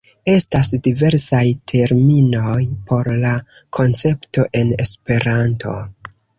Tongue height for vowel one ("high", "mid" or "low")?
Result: mid